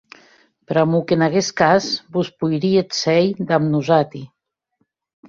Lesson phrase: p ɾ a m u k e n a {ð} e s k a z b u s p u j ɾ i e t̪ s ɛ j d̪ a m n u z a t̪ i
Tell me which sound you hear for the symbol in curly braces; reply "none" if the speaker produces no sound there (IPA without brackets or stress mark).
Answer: ɣ